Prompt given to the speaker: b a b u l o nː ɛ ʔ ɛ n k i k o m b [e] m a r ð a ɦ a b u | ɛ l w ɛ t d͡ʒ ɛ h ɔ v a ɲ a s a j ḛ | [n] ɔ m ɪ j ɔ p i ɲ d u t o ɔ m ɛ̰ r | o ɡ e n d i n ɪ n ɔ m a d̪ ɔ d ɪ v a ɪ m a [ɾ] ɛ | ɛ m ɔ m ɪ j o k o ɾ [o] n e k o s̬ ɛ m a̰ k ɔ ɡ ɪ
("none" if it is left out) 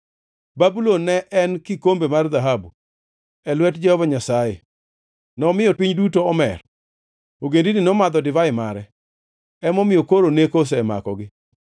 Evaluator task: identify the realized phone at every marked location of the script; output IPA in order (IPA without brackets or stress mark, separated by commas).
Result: e, n, ɾ, o